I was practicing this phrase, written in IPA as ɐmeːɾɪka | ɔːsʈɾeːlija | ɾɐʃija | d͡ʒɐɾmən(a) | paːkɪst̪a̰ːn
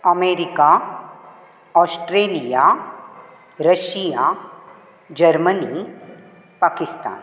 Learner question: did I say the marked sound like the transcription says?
no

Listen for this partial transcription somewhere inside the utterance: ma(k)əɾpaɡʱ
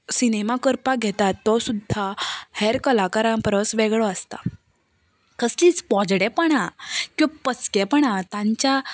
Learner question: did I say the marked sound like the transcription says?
yes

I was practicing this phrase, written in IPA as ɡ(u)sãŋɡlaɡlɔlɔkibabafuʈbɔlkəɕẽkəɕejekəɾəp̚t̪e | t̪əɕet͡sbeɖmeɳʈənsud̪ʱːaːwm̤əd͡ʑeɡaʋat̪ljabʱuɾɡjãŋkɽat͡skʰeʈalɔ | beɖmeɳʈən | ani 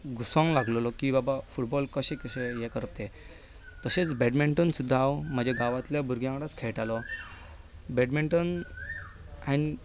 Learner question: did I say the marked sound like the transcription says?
yes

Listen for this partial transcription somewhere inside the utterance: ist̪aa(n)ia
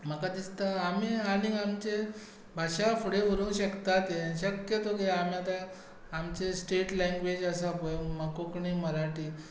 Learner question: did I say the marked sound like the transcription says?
no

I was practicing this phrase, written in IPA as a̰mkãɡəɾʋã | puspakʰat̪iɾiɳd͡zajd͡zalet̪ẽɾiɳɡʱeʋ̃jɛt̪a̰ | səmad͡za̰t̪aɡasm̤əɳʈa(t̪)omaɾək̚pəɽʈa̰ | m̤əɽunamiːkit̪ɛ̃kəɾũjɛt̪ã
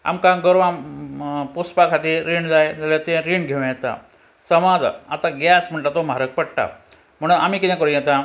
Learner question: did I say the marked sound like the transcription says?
yes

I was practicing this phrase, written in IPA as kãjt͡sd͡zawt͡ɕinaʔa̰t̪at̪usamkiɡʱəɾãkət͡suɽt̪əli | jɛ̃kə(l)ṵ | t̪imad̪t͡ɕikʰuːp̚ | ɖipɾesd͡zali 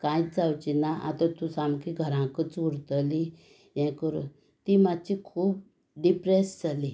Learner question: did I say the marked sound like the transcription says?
no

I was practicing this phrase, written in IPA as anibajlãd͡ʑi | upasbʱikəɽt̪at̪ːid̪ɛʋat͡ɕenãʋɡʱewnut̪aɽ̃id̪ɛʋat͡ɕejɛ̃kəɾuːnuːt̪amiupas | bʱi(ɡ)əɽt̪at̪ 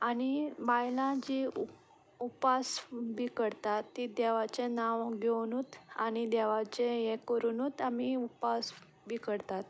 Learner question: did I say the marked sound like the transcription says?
no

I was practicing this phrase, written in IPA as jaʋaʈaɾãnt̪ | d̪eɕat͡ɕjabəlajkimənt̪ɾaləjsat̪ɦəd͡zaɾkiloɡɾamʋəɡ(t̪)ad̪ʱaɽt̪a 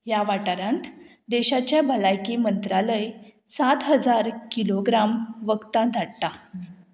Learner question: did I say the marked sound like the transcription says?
yes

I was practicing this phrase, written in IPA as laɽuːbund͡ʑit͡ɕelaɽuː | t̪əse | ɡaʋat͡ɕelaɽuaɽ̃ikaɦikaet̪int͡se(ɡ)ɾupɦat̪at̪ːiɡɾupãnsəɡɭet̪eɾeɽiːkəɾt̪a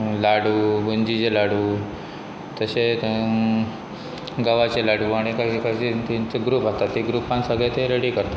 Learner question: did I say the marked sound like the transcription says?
yes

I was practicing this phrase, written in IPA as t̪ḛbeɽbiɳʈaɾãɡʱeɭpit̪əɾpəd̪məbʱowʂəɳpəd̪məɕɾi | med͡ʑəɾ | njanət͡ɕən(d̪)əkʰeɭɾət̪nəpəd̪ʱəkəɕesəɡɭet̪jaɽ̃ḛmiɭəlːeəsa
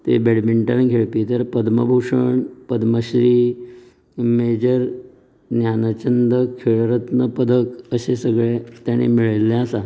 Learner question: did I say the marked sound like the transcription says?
yes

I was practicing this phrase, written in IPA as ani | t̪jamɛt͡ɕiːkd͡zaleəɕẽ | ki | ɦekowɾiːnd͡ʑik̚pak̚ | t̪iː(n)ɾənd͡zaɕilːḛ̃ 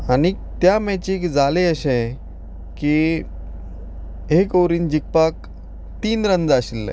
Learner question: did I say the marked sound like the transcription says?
yes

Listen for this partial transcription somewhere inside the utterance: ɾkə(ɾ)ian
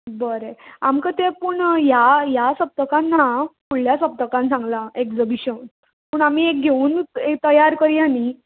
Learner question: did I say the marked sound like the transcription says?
yes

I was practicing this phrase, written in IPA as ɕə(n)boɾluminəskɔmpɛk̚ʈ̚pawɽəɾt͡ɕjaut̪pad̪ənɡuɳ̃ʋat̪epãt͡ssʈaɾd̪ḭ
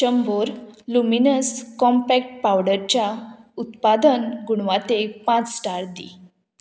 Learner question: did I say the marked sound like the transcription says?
no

